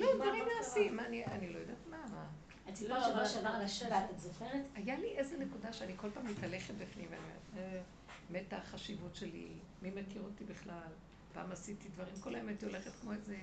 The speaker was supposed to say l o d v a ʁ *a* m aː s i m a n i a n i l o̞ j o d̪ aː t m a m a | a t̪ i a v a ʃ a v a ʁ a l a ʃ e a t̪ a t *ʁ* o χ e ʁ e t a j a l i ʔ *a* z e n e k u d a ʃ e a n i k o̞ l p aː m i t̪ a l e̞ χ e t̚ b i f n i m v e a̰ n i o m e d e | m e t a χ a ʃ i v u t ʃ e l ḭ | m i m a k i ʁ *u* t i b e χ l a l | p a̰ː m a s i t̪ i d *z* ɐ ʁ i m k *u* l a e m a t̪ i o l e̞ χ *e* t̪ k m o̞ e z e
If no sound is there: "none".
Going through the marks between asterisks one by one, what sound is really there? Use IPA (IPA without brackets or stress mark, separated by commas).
i, z, e, o, v, o, e